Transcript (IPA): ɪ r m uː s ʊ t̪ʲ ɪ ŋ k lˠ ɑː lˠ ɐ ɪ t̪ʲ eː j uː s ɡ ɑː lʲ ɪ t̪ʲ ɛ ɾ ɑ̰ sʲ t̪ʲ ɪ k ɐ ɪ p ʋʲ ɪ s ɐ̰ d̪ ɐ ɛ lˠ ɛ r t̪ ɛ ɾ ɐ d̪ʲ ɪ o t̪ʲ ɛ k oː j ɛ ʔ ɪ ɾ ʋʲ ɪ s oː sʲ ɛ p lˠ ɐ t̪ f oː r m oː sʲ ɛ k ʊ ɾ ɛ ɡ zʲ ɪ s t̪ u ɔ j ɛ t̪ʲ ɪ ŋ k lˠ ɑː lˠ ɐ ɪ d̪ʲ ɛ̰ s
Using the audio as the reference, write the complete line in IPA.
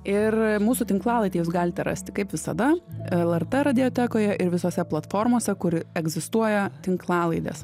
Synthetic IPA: ɪ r m uː s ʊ t̪ʲ ɪ ŋ k lˠ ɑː lˠ ɐ ɪ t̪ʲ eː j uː s ɡ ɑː lʲ ɪ t̪ʲ ɛ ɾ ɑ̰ sʲ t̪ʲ ɪ k ɐ ɪ p ʋʲ ɪ s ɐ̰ d̪ ɐ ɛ lˠ ɛ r t̪ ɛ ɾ ɐ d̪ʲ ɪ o t̪ʲ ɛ k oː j ɛ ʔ ɪ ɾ ʋʲ ɪ s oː sʲ ɛ p lˠ ɐ t̪ f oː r m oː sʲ ɛ k ʊ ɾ ɛ ɡ zʲ ɪ s t̪ u ɔ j ɛ t̪ʲ ɪ ŋ k lˠ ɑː lˠ ɐ ɪ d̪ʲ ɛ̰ s